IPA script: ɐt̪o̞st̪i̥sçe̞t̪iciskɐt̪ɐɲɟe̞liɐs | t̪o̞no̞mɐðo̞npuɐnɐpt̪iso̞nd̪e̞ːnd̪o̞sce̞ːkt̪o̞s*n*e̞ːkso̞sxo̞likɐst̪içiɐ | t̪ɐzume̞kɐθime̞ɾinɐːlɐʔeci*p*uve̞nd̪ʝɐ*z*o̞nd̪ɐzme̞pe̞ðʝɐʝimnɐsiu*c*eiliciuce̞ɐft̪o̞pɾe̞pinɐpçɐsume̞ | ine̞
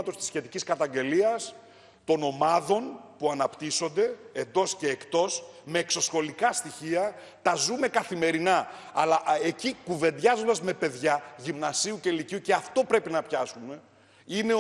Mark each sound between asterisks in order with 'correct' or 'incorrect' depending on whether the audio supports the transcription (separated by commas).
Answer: incorrect, incorrect, correct, correct